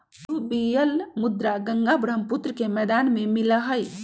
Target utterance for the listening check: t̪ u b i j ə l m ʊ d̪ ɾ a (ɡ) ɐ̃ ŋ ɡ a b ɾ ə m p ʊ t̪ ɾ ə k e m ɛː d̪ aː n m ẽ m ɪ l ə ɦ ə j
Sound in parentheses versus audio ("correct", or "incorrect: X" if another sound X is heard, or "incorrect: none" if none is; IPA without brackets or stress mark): correct